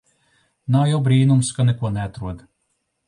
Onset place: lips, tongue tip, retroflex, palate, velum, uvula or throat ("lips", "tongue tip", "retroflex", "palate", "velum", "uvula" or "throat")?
tongue tip